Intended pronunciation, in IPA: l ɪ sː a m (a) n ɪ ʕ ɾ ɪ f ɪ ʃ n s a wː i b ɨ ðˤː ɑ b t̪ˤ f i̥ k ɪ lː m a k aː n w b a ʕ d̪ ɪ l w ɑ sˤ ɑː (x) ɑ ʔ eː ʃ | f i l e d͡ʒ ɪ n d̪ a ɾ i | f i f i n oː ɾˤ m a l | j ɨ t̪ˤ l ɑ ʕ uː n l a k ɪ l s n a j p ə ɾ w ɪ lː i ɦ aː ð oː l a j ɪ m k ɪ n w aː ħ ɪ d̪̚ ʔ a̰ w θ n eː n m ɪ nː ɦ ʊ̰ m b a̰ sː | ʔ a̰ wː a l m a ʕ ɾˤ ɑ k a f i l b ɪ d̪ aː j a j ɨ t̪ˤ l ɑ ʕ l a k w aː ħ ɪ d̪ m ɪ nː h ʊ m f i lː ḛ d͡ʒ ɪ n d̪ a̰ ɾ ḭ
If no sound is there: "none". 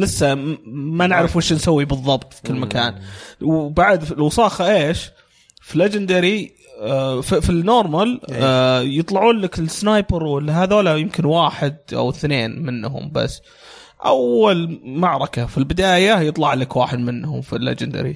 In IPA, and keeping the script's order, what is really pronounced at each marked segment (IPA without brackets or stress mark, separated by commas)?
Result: a, x